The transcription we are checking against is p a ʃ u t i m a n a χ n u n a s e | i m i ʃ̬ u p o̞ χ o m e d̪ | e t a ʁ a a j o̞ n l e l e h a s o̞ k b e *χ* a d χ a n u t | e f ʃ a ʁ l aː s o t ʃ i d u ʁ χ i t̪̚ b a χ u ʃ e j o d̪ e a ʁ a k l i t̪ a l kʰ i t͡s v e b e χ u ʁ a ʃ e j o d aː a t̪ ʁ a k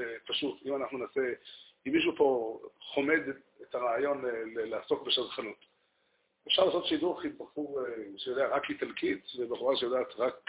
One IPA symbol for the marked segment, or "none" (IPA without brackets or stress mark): ʃ